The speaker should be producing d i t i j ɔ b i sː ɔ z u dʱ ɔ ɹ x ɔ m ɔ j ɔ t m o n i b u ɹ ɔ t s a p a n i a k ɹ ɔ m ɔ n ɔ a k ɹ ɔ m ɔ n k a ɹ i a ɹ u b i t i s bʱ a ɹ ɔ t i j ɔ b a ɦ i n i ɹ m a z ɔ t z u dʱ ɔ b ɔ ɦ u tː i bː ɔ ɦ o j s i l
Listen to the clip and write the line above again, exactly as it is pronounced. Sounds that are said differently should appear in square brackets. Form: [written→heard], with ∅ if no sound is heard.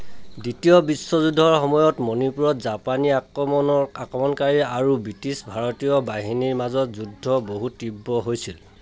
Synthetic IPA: d i t i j ɔ b i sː ɔ z u dʱ ɔ ɹ x ɔ m ɔ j ɔ t m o n i [b→p] u ɹ ɔ t [s→z] a p a n i a k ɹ ɔ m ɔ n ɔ a k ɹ ɔ m ɔ n k a ɹ i a ɹ u b i t i s bʱ a ɹ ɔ t i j ɔ b a ɦ i n i ɹ m a z ɔ t z u dʱ ɔ b [ɔ→o] ɦ u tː i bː ɔ ɦ o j s i l